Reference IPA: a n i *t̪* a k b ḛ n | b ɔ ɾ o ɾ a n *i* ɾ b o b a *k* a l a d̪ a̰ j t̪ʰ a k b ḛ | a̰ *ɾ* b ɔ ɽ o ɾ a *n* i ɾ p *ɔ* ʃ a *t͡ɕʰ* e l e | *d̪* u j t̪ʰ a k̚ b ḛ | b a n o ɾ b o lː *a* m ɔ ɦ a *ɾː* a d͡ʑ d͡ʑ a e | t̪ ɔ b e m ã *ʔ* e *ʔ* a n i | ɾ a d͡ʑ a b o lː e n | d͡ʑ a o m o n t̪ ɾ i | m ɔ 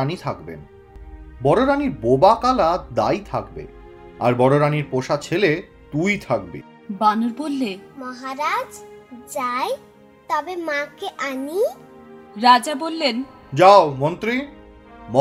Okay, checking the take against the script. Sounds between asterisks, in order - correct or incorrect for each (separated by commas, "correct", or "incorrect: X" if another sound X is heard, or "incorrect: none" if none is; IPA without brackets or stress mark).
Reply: incorrect: t̪ʰ, correct, correct, correct, correct, incorrect: o, correct, incorrect: t̪, incorrect: e, incorrect: ɾ, incorrect: k, correct